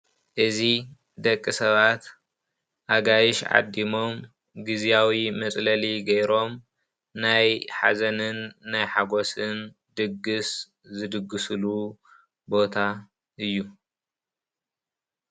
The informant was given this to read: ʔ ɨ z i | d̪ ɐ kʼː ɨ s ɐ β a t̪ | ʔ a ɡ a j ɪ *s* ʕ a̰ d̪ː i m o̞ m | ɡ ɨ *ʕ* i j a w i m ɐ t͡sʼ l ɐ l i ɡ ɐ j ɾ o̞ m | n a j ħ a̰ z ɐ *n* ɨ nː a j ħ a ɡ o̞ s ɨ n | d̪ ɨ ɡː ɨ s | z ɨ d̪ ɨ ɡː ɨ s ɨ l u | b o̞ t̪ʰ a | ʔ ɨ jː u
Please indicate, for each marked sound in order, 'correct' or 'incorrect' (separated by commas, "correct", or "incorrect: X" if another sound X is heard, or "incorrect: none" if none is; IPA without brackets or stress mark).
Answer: incorrect: ʃ, incorrect: z, correct